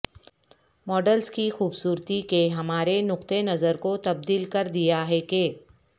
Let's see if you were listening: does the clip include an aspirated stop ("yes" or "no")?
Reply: no